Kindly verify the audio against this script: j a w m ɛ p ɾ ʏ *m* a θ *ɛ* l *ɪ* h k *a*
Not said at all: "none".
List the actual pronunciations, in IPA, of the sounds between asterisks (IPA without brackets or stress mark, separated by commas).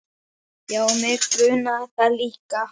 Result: n, a, i, a